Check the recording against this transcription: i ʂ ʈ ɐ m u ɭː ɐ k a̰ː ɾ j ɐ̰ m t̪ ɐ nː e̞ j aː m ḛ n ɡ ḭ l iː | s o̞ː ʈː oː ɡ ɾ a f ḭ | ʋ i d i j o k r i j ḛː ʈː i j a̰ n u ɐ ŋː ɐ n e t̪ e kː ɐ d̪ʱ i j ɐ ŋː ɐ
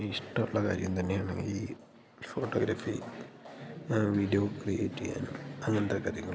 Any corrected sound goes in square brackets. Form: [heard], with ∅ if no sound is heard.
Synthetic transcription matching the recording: i ʂ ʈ ɐ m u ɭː ɐ k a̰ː ɾ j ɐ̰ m t̪ ɐ nː e̞ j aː [ɳ] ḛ [ŋ] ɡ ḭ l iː | [f] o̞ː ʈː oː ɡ ɾ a f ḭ | ʋ i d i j o k r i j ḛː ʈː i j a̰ n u ɐ ŋː ɐ n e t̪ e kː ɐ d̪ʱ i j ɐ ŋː ɐ